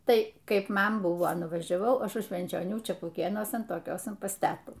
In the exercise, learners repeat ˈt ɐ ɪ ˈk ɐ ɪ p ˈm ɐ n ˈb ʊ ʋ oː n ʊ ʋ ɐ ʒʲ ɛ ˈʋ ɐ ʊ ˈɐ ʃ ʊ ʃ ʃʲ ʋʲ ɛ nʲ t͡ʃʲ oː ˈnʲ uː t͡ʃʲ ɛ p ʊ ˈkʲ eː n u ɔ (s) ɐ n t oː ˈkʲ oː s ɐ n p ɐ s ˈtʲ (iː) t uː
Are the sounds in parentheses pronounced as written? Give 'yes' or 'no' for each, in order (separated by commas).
yes, no